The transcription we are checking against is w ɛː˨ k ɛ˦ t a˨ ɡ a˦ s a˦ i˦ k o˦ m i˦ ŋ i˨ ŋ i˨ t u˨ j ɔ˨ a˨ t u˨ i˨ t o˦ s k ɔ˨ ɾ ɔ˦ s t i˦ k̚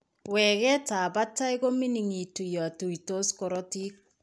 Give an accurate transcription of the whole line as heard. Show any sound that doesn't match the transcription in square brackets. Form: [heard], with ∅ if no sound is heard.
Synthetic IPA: w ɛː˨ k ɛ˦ t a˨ [b] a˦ [t] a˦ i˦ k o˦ m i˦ [n] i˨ ŋ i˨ t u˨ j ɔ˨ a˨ t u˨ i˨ t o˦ s k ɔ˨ ɾ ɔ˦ [∅] t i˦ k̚